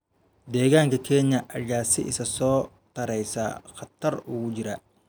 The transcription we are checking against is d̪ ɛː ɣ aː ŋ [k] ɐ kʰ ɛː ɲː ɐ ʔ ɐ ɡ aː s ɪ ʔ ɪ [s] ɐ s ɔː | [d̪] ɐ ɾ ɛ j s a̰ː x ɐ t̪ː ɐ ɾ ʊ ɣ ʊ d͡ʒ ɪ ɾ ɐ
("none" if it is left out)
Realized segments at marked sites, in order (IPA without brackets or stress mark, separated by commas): k, s, t̪